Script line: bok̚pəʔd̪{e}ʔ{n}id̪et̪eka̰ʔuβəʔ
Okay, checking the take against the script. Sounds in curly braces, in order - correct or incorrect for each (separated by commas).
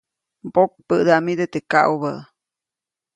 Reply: incorrect, incorrect